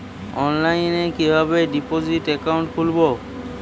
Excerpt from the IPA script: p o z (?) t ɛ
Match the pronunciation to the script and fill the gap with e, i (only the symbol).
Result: i